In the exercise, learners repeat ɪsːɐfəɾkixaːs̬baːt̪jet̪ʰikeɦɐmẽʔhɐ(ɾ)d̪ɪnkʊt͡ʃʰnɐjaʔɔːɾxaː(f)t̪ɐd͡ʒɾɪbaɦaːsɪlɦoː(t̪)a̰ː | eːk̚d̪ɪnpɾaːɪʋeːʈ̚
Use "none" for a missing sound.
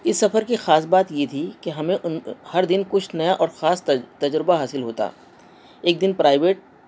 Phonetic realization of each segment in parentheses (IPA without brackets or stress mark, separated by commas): ɾ, s, t̪